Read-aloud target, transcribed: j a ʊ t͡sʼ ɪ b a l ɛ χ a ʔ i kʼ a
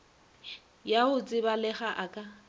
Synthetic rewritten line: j a ʊ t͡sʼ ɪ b a l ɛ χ a ʔ a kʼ a